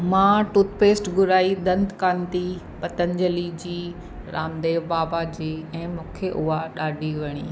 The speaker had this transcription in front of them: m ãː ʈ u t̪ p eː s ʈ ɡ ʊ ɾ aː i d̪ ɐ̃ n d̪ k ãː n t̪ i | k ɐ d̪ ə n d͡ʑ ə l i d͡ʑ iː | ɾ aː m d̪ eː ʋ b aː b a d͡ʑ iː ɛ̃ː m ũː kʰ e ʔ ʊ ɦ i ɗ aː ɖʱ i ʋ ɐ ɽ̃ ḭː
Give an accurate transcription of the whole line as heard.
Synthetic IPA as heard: m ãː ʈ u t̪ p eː s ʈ ɡ ʊ ɾ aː i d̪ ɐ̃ n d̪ k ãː n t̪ i | p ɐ t̪ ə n d͡ʑ ə l i d͡ʑ iː | ɾ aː m d̪ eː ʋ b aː b a d͡ʑ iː ɛ̃ː m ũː kʰ e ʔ ʊ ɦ a ɗ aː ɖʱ i ʋ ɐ ɽ̃ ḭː